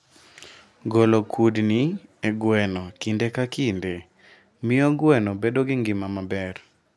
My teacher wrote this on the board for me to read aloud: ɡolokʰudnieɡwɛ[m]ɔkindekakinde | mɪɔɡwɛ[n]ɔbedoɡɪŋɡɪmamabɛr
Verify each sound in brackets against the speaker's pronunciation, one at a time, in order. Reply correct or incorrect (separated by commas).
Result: incorrect, correct